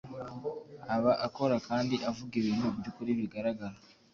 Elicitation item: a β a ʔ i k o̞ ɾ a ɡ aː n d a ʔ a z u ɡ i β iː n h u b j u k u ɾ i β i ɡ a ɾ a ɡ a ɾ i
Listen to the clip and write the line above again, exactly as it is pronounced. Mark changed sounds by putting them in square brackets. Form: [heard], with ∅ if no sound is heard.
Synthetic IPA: a β a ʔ [a] k o̞ ɾ a [k] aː n d [i] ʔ a [v] u ɡ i β iː n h u b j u k u ɾ i β i ɡ a ɾ a ɡ a ɾ [a]